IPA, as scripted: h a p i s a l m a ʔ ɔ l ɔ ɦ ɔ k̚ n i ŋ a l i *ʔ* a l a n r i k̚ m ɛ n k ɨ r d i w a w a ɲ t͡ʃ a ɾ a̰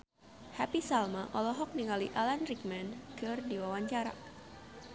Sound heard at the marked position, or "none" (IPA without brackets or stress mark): ʔ